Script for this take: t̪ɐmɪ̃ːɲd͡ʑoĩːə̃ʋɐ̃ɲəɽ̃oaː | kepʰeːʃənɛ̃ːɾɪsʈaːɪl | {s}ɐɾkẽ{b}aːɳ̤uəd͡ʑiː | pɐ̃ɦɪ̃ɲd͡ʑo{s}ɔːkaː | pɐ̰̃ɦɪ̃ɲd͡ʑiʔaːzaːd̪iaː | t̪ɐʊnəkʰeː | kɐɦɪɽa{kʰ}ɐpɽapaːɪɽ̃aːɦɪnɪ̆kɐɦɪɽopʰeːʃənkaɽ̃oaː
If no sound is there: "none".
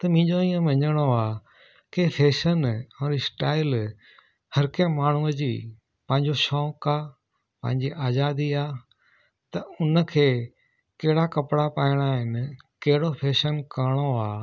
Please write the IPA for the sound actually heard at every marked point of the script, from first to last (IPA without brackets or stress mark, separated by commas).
h, m, ʃ, k